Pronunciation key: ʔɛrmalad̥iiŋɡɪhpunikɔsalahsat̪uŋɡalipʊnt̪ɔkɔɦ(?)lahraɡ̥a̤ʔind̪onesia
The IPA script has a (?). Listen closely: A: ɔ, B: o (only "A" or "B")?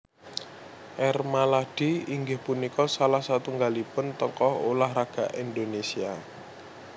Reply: B